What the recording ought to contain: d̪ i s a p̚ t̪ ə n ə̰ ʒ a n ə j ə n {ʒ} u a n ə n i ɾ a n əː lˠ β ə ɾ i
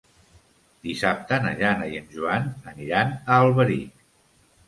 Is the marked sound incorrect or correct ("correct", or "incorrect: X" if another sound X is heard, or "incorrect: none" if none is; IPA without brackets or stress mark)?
correct